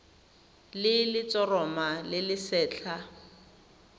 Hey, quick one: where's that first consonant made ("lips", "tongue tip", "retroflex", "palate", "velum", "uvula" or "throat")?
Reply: tongue tip